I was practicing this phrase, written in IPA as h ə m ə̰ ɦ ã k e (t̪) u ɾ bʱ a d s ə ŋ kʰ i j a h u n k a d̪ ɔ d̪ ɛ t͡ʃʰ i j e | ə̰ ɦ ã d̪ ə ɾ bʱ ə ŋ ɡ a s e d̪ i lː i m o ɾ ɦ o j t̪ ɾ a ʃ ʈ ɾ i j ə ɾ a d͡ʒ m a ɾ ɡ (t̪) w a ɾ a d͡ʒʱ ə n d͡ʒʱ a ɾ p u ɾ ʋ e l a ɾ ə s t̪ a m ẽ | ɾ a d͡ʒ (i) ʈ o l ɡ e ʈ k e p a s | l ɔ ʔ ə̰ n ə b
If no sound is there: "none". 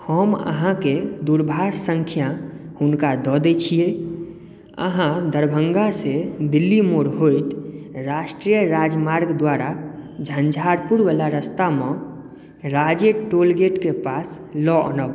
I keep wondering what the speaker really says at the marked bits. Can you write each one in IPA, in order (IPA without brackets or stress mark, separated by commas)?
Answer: d̪, d̪, e